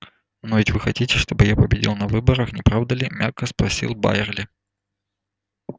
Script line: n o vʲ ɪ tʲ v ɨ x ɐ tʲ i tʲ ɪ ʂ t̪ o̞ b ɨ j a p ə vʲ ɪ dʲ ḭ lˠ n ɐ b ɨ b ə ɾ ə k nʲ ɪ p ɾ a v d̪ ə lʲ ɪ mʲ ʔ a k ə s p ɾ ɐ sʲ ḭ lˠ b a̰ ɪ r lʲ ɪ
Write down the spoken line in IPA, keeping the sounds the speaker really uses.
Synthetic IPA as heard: n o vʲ ɪ tʲ v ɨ x ɐ tʲ i tʲ ɪ ʂ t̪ o̞ b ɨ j a p ə bʲ ɪ dʲ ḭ lˠ n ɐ v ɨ b ə ɾ ə x nʲ ɪ p ɾ a v d̪ ə lʲ ɪ mʲ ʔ a k ə s p ɾ ɐ sʲ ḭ lˠ b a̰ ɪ r lʲ ɪ